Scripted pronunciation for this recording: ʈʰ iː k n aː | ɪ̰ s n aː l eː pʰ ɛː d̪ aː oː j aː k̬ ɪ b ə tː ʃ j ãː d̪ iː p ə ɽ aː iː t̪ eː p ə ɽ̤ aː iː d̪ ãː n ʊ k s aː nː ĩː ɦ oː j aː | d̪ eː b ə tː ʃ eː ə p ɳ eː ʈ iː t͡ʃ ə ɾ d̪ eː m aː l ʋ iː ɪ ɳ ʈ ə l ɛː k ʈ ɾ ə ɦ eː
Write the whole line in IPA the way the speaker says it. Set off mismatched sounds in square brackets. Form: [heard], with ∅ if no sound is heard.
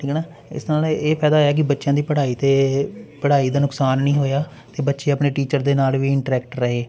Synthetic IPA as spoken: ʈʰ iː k n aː | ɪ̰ s n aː l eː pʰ ɛː d̪ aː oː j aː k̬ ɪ b ə tː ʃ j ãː d̪ iː p ə ɽ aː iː t̪ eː p ə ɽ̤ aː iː d̪ [aː] n ʊ k s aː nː ĩː ɦ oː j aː | [t̪] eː b ə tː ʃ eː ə p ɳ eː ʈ iː t͡ʃ ə ɾ d̪ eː [n] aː l ʋ iː ɪ ɳ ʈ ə [ɾ] ɛː k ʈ ɾ ə ɦ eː